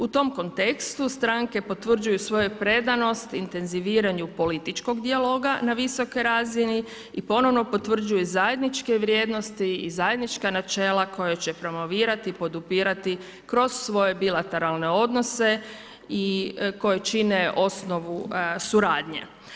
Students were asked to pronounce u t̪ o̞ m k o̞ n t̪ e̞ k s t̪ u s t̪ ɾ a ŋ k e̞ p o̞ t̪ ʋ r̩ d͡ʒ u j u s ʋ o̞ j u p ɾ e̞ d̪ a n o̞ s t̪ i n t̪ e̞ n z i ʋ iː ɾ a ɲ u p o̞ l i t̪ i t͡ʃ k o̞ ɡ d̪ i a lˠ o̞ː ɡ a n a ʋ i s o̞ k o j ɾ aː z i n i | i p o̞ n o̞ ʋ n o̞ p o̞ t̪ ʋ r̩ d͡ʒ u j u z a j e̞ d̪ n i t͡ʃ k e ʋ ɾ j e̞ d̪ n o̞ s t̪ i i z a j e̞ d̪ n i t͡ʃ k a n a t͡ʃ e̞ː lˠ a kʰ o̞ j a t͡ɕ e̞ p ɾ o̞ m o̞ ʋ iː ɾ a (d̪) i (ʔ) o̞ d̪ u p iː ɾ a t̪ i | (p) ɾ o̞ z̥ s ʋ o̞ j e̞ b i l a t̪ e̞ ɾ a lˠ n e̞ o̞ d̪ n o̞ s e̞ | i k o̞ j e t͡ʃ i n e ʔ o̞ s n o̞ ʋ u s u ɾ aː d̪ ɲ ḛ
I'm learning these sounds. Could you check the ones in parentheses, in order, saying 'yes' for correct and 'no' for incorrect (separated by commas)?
no, no, no